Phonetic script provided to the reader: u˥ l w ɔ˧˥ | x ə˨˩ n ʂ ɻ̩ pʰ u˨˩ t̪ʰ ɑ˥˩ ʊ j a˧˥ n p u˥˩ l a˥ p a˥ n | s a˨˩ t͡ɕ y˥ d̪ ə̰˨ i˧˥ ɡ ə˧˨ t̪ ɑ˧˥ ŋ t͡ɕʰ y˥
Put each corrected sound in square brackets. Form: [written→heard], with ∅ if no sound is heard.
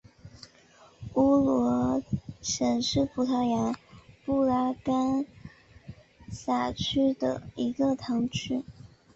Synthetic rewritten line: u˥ l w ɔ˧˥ | [x→ʂ] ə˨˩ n ʂ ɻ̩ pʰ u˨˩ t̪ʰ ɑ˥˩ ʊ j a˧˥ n p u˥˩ l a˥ [p→k] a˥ n | s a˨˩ [t͡ɕ→t͡ɕʰ] y˥ d̪ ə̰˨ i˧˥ ɡ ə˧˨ [t̪→t̪ʰ] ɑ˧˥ ŋ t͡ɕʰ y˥